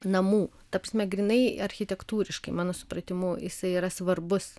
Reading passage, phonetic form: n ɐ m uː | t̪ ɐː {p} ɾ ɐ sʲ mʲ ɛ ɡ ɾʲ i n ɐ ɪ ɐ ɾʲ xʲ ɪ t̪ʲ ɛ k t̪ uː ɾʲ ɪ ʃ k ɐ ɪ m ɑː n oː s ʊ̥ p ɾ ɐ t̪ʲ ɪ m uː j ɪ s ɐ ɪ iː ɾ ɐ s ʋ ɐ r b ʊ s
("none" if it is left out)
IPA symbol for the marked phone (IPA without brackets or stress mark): p